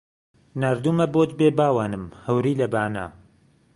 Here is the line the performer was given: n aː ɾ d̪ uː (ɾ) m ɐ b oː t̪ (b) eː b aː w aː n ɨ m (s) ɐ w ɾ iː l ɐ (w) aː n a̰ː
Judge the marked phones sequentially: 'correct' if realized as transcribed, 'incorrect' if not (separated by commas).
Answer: incorrect, correct, incorrect, incorrect